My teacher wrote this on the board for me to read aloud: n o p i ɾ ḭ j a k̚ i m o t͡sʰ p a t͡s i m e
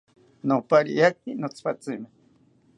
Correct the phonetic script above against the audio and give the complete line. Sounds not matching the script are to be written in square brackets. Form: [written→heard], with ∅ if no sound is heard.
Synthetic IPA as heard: n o p [i→a] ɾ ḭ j a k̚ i [m→n] o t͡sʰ p a t͡s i m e